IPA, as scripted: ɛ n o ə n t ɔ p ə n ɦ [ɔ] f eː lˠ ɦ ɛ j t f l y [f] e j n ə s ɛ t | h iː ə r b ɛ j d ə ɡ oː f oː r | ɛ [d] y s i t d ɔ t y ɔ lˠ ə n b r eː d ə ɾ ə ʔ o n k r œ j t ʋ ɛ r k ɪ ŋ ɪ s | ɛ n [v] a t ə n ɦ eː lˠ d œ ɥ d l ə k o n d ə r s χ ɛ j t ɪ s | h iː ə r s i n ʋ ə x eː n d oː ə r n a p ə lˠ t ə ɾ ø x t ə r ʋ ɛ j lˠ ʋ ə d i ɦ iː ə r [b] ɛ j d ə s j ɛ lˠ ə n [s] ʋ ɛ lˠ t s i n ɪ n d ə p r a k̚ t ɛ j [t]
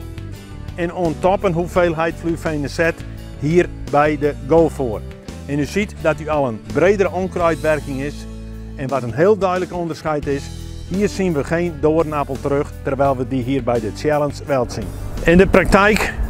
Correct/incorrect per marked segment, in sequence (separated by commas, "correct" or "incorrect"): incorrect, correct, incorrect, incorrect, correct, correct, incorrect